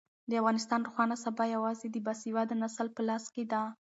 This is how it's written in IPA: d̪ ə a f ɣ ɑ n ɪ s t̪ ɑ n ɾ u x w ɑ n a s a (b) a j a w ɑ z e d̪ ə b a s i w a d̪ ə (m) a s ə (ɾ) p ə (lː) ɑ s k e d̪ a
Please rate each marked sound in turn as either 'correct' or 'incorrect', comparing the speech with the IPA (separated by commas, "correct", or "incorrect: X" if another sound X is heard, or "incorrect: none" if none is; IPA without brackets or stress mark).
correct, incorrect: n, incorrect: l, incorrect: l